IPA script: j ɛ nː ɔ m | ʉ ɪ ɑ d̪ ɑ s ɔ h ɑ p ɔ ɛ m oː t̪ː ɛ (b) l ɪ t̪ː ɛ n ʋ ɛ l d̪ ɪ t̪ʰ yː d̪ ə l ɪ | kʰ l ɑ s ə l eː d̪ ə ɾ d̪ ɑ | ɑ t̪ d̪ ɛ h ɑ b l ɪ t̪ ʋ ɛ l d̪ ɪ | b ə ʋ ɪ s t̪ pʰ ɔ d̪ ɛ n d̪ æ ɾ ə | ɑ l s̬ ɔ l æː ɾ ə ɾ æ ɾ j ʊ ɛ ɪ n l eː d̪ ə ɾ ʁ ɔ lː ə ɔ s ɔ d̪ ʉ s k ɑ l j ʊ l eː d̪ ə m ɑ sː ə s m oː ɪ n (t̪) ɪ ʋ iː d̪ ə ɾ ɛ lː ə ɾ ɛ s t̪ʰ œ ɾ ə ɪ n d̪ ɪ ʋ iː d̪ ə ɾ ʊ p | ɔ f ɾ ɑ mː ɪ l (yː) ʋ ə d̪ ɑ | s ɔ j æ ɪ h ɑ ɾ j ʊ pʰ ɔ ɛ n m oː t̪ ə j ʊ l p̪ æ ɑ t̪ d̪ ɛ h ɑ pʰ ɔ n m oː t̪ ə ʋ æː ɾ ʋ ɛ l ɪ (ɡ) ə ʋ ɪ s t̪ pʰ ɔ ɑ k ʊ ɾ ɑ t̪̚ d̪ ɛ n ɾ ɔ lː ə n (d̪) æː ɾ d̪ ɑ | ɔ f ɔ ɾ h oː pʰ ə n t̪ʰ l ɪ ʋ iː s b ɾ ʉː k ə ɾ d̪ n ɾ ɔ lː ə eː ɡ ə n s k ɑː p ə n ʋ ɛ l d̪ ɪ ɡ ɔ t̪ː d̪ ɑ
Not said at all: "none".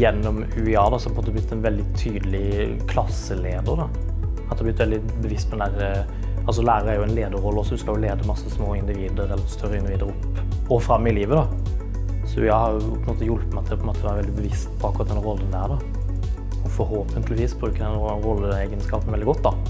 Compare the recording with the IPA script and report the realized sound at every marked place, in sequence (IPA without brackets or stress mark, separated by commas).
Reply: b, d̪, iː, b, d̪